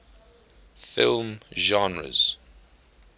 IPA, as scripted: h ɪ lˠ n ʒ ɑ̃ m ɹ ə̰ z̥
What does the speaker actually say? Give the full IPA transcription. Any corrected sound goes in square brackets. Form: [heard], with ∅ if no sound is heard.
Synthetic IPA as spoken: [f] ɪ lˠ [m] ʒ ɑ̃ [n] ɹ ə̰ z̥